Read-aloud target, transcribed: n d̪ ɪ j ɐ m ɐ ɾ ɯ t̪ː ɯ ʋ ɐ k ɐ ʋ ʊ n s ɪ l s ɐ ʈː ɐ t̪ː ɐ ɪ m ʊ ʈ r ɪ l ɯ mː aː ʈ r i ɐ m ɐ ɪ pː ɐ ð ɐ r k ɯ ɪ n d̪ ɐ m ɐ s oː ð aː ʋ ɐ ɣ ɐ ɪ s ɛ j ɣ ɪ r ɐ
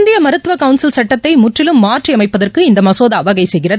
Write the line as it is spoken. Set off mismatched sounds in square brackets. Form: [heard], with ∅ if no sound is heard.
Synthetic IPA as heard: n d̪ ɪ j ɐ m ɐ ɾ ɯ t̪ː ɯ ʋ ɐ k ɐ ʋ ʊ n s ɪ l s ɐ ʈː ɐ t̪ː ɐ ɪ m ʊ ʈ r ɪ l ɯ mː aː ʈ r i ɐ m ɐ ɪ pː ɐ ð ɐ r k ɯ ɪ n d̪ ɐ m ɐ s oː ð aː ʋ ɐ ɣ ɐ ɪ s ɛ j ɣ ɪ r ɐ